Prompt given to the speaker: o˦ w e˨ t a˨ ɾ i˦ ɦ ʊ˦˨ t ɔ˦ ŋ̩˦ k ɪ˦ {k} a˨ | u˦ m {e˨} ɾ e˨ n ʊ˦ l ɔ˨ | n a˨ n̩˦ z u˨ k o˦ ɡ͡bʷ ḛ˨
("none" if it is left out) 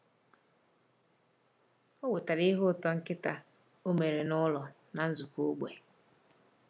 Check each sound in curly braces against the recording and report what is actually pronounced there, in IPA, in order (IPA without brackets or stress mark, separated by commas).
t, e˨